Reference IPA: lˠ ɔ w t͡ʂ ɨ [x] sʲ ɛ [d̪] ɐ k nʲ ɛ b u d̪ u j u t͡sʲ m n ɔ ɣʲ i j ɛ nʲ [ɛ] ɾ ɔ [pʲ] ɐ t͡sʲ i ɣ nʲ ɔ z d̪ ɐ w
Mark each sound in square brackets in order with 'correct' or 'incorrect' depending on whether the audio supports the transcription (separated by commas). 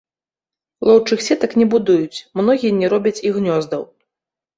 correct, incorrect, correct, incorrect